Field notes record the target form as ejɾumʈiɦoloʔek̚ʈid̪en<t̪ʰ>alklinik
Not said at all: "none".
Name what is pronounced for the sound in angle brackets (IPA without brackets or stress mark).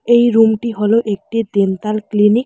t̪